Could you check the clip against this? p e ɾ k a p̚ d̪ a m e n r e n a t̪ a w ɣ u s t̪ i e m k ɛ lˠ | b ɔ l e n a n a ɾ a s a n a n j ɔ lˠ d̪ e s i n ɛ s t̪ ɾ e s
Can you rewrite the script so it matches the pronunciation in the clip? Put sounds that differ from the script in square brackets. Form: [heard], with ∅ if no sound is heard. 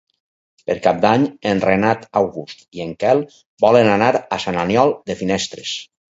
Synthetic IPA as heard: p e ɾ k a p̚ d̪ a [ɲ] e n r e n a t̪ a w ɣ u s t̪ i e [ŋ] k ɛ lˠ | b ɔ l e n a n a ɾ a s a n a n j ɔ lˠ d̪ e [f] i n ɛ s t̪ ɾ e s